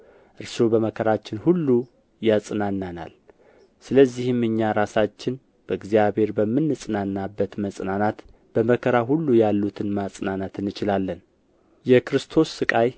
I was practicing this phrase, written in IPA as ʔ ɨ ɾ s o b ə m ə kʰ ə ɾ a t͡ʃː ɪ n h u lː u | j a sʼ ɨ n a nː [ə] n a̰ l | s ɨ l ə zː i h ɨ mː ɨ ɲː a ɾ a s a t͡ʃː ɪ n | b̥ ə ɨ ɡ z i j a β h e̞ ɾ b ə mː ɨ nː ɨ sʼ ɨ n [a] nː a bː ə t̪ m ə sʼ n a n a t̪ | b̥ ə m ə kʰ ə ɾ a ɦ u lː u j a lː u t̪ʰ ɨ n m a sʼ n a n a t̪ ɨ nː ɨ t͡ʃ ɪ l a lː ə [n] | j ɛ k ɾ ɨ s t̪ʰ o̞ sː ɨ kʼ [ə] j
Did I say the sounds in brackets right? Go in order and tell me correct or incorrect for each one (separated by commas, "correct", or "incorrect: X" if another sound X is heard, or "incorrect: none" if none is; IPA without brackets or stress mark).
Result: incorrect: a, correct, correct, incorrect: a